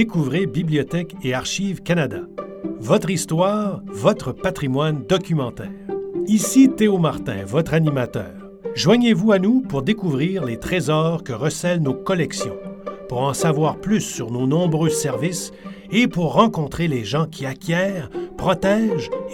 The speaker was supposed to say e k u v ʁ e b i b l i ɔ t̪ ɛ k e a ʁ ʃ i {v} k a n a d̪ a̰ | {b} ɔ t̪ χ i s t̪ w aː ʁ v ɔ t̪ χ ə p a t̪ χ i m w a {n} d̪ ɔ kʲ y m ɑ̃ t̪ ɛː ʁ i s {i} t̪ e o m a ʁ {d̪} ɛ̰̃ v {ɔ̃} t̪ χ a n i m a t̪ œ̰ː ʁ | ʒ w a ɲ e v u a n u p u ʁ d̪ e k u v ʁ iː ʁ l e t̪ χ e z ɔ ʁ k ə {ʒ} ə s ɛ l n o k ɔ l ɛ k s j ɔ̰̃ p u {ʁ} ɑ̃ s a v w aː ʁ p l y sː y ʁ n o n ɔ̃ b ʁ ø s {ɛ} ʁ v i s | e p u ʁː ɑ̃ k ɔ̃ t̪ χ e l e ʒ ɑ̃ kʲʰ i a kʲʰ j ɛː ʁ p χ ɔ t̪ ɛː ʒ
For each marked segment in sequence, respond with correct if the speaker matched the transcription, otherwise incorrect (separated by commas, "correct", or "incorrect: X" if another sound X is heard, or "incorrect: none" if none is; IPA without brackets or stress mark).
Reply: correct, incorrect: v, correct, correct, incorrect: t̪, incorrect: ɔ, incorrect: ʁ, correct, correct